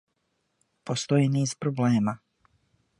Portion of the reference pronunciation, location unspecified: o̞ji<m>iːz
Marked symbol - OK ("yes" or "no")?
no